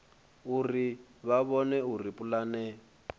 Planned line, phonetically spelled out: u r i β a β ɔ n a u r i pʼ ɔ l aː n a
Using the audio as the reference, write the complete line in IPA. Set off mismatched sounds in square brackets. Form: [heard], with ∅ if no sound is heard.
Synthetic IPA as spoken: u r i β a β ɔ n [ɛ] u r i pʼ [u] l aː n [ɛ]

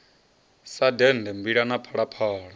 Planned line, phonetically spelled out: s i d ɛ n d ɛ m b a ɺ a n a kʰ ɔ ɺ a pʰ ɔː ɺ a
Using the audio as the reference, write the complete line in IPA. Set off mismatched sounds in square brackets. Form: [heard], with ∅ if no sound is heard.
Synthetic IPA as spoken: s [a] d ɛ n d ɛ m b [i] ɺ a n a [pʰ] ɔ ɺ a pʰ ɔː ɺ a

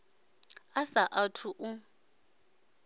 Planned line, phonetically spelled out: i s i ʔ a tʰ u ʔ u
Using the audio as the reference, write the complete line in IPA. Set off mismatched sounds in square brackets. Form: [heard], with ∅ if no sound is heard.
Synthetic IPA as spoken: [a] s [a] ʔ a tʰ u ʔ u

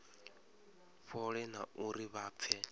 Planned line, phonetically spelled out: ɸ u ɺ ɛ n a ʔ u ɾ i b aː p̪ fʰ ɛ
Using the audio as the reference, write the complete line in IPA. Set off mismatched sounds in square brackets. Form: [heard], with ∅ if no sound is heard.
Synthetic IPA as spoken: ɸ [ɔ] ɺ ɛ n a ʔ u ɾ i [β] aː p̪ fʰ ɛ

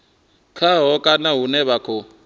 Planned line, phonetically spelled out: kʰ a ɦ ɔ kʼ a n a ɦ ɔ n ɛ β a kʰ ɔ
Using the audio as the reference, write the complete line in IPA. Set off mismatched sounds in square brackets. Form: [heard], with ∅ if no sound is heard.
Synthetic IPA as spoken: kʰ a ɦ ɔ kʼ a n a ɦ [u] n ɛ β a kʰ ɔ

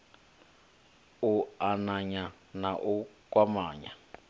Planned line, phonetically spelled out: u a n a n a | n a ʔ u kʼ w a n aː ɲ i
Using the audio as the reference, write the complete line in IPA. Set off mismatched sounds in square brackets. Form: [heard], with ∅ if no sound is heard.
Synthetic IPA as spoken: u a n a [ɲ] a | n a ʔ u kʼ w a [m] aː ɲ [a]

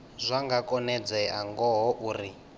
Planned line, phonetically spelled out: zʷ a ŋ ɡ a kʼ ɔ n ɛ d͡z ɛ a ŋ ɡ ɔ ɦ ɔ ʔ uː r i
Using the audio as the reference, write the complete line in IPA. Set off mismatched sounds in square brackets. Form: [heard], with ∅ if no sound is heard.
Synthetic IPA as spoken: zʷ a ŋ ɡ a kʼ ɔ n ɛ d͡z ɛ a ŋ ɡ ɔ ɦ ɔ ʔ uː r i

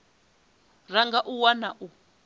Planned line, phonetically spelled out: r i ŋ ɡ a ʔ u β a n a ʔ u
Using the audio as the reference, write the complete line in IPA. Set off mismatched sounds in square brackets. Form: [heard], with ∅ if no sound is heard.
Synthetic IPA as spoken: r [a] ŋ ɡ a ʔ u [w] a n a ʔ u

